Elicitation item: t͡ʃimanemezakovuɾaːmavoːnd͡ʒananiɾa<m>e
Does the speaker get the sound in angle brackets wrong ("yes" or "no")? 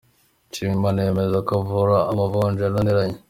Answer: yes